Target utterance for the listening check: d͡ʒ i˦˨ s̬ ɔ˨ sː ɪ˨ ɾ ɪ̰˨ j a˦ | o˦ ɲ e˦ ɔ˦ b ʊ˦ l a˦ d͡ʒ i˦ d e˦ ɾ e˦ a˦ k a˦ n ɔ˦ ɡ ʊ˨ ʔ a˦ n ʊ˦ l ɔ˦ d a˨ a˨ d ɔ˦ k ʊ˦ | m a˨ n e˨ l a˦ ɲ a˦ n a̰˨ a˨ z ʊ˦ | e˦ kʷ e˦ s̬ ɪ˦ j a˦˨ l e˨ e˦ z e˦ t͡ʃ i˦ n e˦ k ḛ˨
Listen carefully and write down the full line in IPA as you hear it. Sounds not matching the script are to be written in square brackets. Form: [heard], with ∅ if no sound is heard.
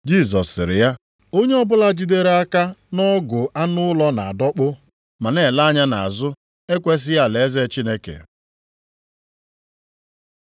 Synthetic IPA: d͡ʒ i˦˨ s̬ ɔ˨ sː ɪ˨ ɾ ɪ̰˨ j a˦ | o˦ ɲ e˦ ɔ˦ b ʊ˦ l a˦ d͡ʒ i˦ d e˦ ɾ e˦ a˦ k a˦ n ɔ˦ ɡ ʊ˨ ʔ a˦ n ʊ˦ l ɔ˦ [n] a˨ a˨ d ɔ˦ [k͡p] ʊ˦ | m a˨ n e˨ l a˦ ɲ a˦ n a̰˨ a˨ z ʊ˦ | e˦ kʷ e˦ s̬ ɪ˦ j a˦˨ l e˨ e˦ z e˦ t͡ʃ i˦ n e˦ k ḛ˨